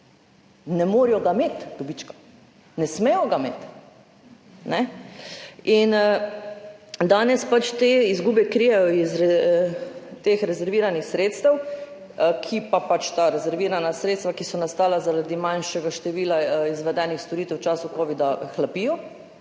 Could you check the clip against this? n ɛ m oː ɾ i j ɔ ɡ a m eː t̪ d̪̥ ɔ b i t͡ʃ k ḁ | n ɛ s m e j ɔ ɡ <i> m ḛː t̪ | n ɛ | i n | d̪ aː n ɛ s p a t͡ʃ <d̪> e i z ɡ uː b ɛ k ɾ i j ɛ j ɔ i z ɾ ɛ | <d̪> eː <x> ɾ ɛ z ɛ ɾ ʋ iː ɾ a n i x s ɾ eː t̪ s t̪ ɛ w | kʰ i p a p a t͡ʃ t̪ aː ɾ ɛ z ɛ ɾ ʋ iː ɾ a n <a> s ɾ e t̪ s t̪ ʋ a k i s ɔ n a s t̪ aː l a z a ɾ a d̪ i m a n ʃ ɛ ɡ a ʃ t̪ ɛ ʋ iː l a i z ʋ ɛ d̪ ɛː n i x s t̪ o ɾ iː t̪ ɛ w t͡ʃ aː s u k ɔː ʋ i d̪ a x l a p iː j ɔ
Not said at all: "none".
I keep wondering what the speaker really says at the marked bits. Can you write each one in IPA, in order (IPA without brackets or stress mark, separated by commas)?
a, t̪, t̪, x, a